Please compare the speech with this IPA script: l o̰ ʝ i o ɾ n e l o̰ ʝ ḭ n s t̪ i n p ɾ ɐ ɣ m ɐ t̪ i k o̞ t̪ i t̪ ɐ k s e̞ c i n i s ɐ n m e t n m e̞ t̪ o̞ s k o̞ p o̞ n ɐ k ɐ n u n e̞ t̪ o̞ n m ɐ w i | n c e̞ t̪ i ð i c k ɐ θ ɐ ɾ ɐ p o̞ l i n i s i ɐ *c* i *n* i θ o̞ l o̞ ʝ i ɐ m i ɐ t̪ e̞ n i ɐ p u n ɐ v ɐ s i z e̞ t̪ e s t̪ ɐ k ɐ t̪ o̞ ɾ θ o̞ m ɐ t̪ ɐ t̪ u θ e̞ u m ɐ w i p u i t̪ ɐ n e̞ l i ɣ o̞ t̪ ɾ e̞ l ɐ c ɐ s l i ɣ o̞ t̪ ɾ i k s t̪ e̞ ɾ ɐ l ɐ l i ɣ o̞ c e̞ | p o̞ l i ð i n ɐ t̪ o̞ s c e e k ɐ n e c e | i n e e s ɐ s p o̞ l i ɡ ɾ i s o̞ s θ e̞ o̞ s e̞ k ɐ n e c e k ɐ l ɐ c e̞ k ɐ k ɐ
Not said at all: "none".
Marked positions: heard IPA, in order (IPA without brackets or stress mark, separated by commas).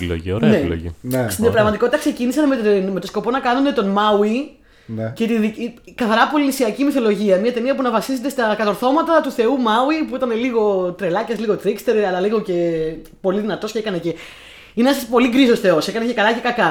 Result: c, m